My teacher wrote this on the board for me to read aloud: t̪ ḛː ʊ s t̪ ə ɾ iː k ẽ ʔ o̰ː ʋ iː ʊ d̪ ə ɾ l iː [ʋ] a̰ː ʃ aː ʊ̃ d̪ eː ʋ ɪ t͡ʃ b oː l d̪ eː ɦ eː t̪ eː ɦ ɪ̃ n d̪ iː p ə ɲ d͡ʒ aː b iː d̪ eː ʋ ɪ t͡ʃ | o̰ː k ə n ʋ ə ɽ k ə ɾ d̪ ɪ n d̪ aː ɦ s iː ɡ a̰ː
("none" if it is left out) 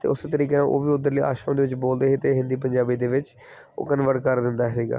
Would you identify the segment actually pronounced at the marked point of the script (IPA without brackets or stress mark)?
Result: none